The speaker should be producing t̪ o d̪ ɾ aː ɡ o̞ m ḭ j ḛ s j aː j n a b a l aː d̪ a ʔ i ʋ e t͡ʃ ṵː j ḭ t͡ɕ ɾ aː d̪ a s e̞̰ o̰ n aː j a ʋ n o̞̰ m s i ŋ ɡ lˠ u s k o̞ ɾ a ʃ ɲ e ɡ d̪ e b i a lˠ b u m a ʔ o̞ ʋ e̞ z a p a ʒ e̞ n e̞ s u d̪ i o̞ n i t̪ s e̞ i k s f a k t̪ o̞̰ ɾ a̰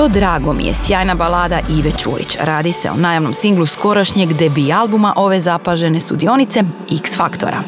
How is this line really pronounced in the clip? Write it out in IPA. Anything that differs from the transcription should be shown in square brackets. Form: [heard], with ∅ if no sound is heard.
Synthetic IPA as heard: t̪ o d̪ ɾ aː ɡ o̞ m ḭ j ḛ s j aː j n a b a l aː d̪ a ʔ i ʋ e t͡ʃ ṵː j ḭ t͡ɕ ɾ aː d̪ [i] s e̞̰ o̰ n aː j a ʋ n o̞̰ m s i ŋ ɡ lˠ u s k o̞ ɾ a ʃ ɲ e ɡ d̪ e b i a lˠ b u m a ʔ o̞ ʋ e̞ z a p a ʒ e̞ n e̞ s u d̪ i o̞ n i t̪ s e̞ i k s f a k t̪ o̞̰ ɾ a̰